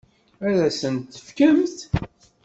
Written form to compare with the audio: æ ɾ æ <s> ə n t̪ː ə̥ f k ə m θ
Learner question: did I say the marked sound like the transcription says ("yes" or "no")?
yes